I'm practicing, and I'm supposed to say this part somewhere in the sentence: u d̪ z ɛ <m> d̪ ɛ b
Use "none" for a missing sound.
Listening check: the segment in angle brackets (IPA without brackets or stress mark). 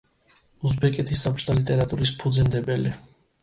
n